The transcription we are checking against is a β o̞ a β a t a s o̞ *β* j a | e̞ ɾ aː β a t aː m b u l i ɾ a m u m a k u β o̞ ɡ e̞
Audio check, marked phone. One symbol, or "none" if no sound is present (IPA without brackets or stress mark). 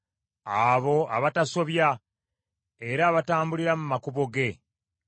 β